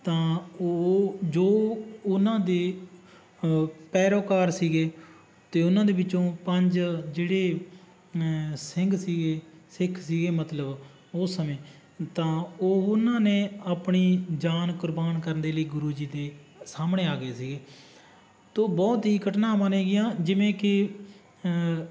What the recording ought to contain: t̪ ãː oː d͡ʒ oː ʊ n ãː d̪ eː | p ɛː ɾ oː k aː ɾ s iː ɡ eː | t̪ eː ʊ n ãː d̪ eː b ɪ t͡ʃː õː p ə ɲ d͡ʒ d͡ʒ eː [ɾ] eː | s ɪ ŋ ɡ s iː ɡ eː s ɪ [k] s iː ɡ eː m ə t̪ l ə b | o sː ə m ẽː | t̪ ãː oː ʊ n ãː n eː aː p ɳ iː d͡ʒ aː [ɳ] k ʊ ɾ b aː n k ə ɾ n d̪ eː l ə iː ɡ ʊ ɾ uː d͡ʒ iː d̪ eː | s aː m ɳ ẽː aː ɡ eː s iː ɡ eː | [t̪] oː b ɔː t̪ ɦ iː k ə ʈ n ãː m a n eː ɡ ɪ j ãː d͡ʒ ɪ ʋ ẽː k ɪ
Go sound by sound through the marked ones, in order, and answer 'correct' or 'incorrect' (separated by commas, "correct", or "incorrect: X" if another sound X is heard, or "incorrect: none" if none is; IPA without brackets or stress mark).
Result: incorrect: ɽ, incorrect: kʰ, incorrect: n, correct